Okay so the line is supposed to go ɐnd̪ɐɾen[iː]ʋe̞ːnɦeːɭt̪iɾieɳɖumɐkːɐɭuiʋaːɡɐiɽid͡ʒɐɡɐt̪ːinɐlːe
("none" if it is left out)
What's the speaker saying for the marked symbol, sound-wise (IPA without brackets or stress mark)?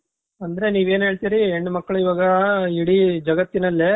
iː